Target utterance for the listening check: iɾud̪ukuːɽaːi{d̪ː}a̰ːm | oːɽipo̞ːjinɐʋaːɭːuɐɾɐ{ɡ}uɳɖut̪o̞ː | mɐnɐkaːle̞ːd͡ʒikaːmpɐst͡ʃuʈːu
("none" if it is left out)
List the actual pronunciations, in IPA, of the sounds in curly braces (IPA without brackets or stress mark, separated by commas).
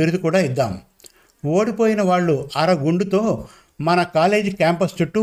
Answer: d̪ː, ɡ